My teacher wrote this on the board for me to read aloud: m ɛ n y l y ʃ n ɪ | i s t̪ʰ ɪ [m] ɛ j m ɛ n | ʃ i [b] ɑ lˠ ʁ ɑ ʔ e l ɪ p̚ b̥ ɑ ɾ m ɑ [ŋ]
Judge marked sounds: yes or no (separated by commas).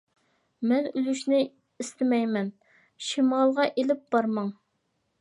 yes, no, yes